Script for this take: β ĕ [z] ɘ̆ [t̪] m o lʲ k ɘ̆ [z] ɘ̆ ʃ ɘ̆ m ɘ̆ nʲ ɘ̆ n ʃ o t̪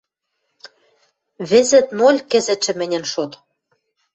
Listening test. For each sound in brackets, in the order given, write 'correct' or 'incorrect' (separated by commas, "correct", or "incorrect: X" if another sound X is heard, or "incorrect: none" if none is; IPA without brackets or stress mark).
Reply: correct, correct, correct